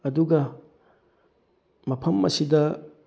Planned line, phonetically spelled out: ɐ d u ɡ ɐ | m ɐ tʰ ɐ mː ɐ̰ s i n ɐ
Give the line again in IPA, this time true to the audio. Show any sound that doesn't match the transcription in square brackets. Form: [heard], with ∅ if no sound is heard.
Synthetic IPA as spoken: ɐ d u ɡ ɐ | m ɐ [pʰ] ɐ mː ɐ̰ s i [d] ɐ